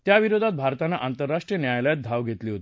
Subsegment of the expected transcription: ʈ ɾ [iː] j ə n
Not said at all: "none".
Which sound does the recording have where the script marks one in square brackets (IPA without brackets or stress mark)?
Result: i